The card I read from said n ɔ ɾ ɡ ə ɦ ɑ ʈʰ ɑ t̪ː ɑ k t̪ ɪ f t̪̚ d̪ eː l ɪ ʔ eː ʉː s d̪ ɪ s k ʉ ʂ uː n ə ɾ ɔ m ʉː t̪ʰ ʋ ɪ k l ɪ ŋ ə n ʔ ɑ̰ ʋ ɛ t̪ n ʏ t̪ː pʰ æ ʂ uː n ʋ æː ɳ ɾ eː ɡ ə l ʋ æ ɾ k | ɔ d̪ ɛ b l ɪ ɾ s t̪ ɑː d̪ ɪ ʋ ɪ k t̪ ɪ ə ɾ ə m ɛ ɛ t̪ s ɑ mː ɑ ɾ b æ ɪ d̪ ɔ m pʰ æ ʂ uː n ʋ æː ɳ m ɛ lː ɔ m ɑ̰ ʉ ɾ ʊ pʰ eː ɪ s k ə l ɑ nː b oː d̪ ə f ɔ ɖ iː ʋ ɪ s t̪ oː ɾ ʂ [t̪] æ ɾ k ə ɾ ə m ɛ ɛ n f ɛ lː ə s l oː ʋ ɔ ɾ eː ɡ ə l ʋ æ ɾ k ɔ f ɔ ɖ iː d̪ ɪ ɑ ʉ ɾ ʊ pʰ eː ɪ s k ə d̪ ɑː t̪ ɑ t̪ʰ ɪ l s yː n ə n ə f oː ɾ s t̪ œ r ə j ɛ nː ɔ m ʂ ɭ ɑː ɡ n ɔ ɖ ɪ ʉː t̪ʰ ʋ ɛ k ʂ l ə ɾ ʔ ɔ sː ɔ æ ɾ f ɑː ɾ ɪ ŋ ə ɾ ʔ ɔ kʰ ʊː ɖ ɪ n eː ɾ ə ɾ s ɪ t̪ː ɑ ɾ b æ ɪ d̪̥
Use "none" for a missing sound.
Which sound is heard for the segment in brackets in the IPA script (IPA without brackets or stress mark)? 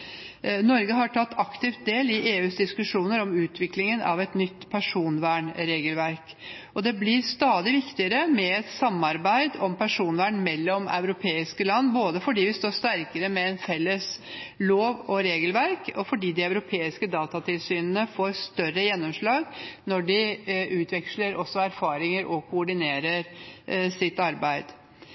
t̪